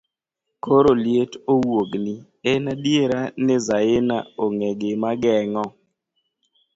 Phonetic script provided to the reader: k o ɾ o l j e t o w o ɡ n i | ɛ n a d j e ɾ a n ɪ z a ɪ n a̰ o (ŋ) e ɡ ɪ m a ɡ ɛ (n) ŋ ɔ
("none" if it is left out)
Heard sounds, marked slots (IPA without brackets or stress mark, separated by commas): ŋ, none